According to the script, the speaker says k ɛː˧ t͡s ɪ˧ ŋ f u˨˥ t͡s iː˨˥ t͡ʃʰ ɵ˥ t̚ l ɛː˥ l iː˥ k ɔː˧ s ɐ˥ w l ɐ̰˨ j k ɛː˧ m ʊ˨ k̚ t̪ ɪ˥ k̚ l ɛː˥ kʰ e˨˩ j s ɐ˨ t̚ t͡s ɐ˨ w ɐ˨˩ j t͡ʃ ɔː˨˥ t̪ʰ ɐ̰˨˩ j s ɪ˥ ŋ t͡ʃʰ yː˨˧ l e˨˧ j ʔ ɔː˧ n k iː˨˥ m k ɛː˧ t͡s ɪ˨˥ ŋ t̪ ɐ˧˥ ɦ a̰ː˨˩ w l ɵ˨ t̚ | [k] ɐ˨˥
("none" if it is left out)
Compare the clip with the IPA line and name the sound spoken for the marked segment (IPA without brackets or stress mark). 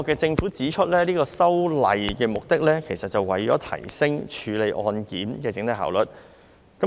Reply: k